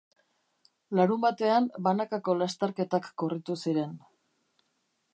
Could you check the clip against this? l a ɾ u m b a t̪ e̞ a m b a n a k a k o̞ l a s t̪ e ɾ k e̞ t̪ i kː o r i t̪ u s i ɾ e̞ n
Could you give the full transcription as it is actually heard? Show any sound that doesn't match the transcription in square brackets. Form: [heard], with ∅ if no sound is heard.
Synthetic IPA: l a ɾ u m b a t̪ e̞ a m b a n a k a k o̞ l a s t̪ e ɾ k e̞ t̪ [a] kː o r i t̪ u s i ɾ e̞ n